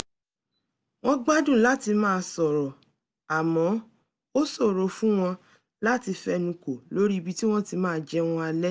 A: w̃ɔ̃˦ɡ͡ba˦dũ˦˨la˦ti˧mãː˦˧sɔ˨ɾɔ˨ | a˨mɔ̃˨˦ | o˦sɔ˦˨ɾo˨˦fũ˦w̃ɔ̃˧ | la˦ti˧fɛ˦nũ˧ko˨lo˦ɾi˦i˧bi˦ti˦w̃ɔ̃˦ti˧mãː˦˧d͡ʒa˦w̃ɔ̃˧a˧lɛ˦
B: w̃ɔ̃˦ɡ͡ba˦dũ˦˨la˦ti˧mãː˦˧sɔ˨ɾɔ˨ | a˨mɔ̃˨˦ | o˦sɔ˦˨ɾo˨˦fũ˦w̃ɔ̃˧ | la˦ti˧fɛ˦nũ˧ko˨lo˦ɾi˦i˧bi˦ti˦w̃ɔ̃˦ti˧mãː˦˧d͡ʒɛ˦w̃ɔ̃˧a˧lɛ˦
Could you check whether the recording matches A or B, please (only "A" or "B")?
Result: B